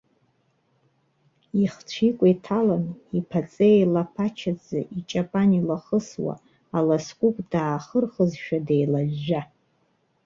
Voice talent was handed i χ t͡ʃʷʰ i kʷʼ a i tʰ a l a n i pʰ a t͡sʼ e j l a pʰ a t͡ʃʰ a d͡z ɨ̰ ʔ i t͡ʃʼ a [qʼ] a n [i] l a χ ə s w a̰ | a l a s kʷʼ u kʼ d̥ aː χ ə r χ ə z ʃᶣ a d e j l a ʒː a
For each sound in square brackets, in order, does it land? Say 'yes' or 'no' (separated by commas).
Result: no, yes